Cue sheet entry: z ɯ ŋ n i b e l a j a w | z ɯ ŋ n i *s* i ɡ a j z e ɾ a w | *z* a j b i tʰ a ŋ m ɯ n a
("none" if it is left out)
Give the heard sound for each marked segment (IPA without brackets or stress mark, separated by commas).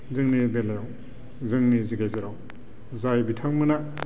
z, z